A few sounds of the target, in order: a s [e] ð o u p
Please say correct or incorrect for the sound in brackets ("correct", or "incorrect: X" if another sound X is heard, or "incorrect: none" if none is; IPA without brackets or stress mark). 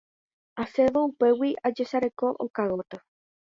correct